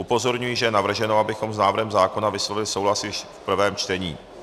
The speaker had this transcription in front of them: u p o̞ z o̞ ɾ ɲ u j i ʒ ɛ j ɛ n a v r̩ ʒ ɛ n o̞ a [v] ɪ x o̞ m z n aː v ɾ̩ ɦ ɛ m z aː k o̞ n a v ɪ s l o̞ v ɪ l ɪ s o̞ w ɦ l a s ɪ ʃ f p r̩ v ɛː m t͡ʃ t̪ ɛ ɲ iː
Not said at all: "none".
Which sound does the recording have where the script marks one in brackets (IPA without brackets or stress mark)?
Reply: b